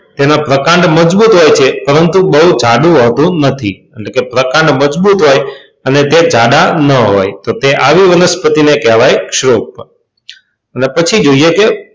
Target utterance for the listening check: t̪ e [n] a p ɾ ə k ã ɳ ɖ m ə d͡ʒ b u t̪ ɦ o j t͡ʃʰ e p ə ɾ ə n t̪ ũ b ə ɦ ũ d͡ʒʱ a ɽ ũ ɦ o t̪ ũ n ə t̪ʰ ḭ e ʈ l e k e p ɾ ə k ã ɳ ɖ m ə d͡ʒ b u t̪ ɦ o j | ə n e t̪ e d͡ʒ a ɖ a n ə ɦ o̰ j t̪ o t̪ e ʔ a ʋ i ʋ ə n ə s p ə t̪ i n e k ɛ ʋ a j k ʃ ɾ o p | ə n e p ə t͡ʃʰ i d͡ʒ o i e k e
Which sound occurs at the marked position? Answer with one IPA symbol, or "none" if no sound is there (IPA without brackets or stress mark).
n